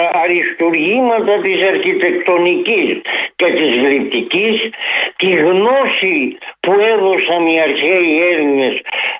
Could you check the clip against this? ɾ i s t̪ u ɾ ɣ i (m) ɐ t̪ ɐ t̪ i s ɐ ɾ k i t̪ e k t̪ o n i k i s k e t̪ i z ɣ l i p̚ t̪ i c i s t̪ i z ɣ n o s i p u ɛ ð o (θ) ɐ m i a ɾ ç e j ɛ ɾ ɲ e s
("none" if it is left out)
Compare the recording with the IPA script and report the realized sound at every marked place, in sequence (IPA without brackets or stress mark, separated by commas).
m, s